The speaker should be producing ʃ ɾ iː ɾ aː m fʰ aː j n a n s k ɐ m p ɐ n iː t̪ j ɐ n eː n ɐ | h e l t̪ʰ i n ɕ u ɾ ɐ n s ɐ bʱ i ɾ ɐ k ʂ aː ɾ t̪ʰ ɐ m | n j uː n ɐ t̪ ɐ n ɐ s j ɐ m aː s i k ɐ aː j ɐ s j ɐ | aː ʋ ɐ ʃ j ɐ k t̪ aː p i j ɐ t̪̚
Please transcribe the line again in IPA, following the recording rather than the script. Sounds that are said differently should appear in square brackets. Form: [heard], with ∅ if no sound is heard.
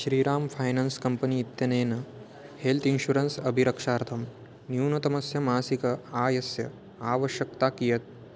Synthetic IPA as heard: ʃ ɾ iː ɾ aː m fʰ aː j n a n s k ɐ m p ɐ n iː t̪ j ɐ n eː n ɐ | h e l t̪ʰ i n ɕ u ɾ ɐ n s ɐ bʱ i ɾ ɐ k ʂ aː ɾ t̪ʰ ɐ m | n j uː n ɐ t̪ ɐ [m] ɐ s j ɐ m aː s i k ɐ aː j ɐ s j ɐ | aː ʋ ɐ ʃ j ɐ k t̪ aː [k] i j ɐ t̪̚